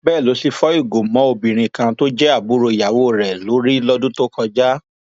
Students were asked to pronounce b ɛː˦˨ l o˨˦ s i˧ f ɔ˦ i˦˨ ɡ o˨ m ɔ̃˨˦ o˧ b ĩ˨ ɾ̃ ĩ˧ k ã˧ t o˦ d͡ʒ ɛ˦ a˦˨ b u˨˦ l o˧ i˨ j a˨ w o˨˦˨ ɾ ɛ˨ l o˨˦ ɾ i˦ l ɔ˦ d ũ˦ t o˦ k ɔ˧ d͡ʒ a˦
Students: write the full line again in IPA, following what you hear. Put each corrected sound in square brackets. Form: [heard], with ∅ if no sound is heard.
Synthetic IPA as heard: b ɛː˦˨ l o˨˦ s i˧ f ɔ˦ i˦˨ ɡ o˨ m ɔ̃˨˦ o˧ b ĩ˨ ɾ̃ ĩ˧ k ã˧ t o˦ d͡ʒ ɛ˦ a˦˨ b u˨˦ [ɾ] o˧ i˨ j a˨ w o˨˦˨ ɾ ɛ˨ l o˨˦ ɾ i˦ l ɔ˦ d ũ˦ t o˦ k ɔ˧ d͡ʒ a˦